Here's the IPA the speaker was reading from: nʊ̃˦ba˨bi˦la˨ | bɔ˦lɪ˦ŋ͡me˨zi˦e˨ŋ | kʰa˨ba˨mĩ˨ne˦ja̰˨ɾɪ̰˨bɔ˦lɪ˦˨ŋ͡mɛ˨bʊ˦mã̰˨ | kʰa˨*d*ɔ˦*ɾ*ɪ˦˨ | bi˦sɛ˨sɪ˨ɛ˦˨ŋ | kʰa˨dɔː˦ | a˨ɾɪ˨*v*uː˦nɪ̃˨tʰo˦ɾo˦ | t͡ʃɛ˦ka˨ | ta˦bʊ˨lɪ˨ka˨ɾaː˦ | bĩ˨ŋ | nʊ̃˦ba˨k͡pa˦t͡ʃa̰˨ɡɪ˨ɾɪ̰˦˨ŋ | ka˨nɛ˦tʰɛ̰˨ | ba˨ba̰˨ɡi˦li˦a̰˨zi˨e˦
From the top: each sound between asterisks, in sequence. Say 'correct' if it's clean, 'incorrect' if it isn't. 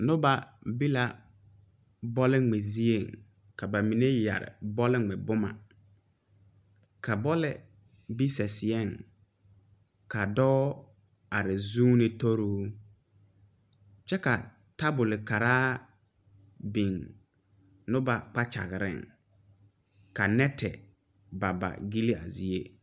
incorrect: b, incorrect: l, incorrect: z

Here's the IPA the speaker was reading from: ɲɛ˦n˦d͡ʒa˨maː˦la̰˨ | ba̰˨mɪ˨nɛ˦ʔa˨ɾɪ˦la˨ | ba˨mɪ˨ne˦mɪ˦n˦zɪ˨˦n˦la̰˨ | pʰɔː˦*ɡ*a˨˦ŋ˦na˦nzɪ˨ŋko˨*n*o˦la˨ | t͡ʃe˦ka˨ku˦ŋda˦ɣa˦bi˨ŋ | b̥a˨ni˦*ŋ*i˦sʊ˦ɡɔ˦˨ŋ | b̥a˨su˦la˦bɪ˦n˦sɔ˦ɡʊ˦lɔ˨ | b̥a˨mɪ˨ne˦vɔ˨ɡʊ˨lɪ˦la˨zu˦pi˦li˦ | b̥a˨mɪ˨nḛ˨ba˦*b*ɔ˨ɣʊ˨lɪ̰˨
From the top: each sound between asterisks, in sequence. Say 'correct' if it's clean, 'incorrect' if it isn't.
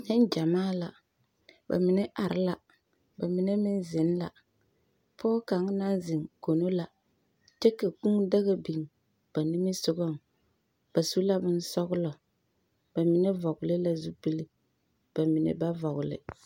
incorrect: k, correct, incorrect: m, incorrect: v

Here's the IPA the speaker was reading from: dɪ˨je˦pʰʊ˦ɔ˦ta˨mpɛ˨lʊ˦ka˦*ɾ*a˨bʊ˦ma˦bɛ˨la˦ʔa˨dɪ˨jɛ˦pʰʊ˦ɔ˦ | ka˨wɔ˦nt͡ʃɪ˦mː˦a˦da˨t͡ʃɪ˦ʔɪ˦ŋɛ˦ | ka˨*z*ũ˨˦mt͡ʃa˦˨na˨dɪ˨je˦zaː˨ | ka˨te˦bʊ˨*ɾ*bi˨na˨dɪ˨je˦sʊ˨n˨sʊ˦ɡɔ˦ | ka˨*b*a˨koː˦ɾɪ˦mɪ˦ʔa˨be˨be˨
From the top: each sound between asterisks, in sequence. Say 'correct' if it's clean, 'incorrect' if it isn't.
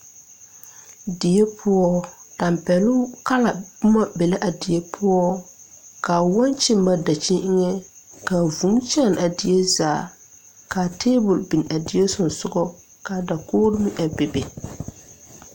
incorrect: l, incorrect: v, incorrect: l, incorrect: d

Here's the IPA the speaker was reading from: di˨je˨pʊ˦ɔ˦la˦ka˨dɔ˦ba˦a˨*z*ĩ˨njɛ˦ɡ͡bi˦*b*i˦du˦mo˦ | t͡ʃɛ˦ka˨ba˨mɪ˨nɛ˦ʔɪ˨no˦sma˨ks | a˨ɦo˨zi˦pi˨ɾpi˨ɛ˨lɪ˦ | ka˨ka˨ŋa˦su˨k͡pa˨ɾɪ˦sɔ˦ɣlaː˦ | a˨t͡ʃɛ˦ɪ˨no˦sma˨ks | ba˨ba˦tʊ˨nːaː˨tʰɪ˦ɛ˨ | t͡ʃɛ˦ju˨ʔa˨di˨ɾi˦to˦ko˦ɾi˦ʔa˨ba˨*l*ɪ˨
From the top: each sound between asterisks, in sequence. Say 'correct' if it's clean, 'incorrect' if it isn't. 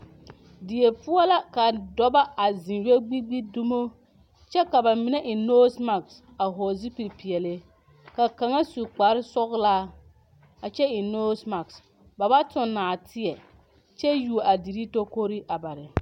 correct, incorrect: ɡ͡b, incorrect: ɾ

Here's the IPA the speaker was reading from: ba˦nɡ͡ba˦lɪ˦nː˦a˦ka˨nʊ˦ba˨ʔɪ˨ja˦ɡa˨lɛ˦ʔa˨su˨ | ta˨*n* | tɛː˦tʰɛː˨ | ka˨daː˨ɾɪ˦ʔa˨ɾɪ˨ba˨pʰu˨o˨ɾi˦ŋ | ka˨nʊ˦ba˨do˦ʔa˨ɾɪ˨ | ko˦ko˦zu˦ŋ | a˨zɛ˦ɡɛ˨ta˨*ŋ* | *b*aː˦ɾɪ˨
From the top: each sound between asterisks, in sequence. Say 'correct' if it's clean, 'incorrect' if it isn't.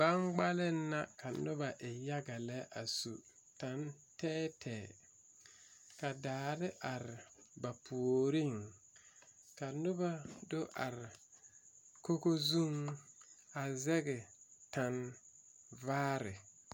correct, incorrect: n, incorrect: v

